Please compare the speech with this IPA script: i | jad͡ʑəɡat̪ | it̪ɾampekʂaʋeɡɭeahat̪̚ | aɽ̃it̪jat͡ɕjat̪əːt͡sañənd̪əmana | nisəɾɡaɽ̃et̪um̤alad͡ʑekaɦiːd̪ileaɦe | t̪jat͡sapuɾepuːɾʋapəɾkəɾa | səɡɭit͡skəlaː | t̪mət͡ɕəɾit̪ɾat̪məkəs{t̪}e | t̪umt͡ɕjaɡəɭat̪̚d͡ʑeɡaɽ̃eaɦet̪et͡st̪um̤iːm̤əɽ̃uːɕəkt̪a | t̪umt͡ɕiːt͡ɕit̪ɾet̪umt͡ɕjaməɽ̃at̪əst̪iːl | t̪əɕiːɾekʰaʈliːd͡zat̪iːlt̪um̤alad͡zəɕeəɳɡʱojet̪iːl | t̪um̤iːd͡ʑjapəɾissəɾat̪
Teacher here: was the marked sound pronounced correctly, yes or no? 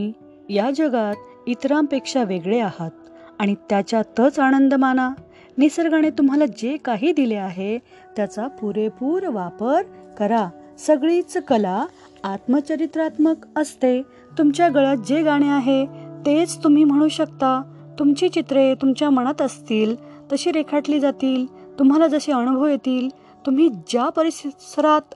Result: yes